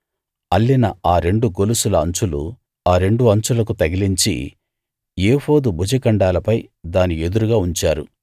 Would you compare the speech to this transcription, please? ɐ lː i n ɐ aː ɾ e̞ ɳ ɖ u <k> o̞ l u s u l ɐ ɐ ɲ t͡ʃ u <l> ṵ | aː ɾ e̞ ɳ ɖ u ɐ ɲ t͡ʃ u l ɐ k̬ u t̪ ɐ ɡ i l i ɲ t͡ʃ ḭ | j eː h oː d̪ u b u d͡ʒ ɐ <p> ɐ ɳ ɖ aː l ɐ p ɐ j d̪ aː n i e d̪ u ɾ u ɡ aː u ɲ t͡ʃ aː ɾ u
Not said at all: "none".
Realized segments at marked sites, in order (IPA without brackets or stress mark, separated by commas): ɡ, l, k